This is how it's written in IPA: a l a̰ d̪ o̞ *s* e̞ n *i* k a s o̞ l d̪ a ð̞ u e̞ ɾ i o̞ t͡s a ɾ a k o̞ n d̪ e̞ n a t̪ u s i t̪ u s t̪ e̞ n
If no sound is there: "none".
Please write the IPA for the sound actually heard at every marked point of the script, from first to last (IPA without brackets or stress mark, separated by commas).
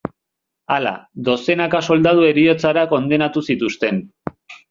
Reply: s, a